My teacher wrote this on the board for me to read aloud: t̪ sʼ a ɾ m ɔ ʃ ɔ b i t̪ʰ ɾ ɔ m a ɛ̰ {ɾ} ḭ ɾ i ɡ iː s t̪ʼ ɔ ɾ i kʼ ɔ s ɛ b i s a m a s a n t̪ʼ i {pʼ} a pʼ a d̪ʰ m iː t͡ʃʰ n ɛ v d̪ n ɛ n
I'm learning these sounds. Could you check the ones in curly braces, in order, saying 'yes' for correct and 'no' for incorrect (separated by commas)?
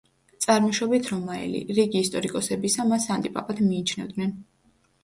no, yes